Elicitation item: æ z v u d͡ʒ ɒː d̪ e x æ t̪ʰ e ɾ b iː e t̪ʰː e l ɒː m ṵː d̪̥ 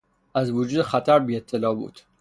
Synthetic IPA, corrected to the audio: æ z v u d͡ʒ uː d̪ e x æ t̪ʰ æ ɾ b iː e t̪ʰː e l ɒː b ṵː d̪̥